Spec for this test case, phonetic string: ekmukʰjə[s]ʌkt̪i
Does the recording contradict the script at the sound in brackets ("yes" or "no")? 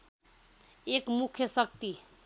no